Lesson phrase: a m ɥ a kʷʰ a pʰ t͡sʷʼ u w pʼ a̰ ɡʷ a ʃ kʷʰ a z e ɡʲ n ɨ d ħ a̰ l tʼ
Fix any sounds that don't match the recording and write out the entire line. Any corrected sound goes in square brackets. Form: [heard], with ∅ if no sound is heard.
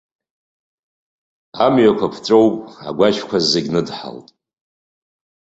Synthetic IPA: a m ɥ a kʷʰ a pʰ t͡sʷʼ [o] w pʼ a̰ ɡʷ a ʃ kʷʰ a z e ɡʲ n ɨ d ħ a̰ l tʼ

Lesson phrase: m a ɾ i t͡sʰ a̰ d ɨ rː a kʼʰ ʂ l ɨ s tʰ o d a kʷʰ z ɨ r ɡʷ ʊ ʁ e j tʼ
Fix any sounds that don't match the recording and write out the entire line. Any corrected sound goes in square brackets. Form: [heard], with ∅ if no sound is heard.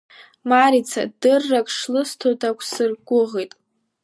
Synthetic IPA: m a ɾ i t͡sʰ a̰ d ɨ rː a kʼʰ ʂ l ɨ s tʰ o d a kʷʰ [s] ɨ r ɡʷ ʊ ʁ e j tʼ

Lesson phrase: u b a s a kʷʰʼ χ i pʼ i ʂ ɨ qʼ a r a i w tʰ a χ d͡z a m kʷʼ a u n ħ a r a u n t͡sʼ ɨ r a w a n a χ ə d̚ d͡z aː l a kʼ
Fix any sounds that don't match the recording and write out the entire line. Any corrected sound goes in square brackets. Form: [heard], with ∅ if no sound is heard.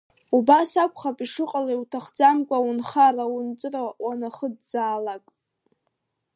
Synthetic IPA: u b a s a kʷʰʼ χ [a] pʼ i ʂ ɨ qʼ a [l] a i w tʰ a χ d͡z a m kʷʼ a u n [χ] a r a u n t͡sʼ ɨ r a w a n a χ ə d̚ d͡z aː l a kʼ

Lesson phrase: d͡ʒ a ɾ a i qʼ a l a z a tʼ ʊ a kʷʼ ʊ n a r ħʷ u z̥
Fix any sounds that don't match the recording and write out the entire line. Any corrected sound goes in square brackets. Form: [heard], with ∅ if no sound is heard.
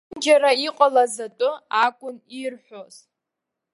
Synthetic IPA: d͡ʒ a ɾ a i qʼ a l a z a tʼ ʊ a kʷʼ ʊ n [i] r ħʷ [o] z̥

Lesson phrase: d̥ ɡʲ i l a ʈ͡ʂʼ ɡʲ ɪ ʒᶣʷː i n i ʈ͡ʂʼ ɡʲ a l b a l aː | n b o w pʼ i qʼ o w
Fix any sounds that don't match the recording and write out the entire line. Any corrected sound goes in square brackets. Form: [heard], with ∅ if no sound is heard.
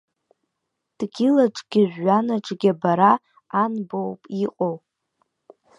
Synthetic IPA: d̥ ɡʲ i l a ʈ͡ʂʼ ɡʲ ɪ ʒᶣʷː [a] n [a] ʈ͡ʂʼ ɡʲ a [∅] b a [ɾ] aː | n b o w pʼ i qʼ o w

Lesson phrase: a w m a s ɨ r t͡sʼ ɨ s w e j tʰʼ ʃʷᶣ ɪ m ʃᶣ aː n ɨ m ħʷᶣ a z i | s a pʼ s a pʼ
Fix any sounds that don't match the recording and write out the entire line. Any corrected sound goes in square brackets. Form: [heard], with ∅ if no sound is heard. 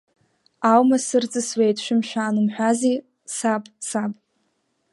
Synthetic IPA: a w m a s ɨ r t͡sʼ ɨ s w e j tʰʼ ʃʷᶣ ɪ m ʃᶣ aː n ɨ m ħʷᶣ a z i | s a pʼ s a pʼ

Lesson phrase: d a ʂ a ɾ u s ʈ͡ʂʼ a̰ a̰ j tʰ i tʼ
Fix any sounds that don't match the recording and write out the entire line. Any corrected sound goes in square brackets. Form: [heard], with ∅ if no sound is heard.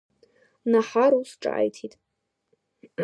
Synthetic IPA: [n] a [ħ] a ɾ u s ʈ͡ʂʼ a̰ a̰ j tʰ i tʼ

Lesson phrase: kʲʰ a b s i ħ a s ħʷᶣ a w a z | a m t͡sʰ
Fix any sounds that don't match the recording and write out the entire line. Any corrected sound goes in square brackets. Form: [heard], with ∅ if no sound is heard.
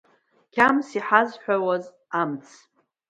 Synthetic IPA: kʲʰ a [m] s i ħ a [z] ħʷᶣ a w a z | a m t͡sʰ

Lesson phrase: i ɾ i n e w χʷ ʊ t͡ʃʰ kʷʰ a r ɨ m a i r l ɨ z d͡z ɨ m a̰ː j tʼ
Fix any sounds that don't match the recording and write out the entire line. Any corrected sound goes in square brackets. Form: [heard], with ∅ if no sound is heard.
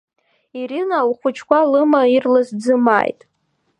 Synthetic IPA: i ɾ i n [a] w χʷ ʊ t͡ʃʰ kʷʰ a [l] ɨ m a i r l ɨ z d͡z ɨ m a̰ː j tʼ

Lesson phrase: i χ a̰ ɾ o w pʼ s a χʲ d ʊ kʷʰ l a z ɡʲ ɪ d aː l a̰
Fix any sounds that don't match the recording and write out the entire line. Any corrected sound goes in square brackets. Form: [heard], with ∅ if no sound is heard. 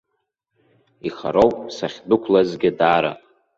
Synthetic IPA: i χ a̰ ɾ o w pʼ s a χʲ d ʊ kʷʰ l a z ɡʲ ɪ d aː [ɾ] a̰

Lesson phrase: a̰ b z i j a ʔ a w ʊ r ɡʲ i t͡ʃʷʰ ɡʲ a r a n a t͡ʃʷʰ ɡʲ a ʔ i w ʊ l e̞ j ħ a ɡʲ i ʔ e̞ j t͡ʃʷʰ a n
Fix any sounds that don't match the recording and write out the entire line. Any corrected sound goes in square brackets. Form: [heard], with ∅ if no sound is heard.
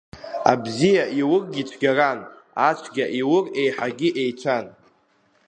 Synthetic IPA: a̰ b z i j a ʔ [i] w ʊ r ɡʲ i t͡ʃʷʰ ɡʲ a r a n a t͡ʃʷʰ ɡʲ a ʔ i w ʊ [r] e̞ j ħ a ɡʲ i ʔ e̞ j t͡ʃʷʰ a n

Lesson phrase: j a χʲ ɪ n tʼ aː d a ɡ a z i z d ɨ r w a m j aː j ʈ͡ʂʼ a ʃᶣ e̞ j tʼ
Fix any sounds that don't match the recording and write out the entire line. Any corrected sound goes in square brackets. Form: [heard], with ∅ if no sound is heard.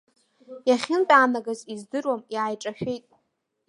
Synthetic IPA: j a χʲ ɪ n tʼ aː [n] a ɡ a z i z d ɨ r w a m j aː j ʈ͡ʂʼ a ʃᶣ e̞ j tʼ

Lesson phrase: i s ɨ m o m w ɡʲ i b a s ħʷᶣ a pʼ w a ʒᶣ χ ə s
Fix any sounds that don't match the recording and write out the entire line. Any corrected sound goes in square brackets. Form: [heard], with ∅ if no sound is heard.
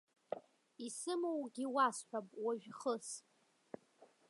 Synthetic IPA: i s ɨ m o [∅] w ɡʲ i [w] a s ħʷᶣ a pʼ w a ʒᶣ χ ə s

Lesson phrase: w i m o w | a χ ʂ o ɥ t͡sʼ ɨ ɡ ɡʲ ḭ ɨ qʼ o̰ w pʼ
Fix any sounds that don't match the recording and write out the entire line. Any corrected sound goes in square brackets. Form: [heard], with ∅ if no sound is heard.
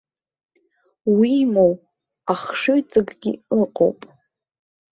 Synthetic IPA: w i m o w | a χ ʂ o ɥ t͡sʼ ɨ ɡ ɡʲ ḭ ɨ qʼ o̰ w pʼ

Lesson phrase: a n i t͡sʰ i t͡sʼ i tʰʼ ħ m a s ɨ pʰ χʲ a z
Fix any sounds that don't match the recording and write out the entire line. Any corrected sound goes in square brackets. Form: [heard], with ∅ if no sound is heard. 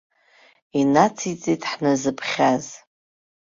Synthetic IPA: [i] n [a] t͡sʰ i t͡sʼ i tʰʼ ħ [n] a [z] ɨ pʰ χʲ a z

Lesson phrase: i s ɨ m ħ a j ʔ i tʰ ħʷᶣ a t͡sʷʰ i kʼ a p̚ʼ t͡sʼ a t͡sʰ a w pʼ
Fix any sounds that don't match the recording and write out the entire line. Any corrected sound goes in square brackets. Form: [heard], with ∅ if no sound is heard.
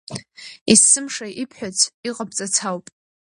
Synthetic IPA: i s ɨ m [ʂ] a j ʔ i [pʰ] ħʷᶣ a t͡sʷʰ i [qʼ] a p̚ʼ t͡sʼ a t͡sʰ a w pʼ

